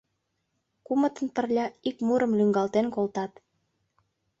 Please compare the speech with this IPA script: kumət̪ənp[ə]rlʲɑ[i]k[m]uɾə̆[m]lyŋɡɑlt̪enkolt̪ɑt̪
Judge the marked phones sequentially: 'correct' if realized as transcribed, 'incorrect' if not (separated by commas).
correct, correct, correct, correct